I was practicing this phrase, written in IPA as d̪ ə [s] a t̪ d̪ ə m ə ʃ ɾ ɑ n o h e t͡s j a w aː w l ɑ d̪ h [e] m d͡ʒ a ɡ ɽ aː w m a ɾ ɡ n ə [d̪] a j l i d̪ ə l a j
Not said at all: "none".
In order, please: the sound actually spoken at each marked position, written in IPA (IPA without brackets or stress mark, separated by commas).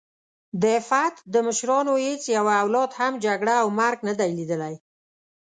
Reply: f, a, d̪